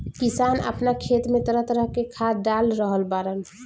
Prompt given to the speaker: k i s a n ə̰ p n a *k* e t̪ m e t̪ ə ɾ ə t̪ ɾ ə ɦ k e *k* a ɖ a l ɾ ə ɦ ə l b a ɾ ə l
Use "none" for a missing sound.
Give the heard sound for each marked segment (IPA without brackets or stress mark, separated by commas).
kʰ, kʰ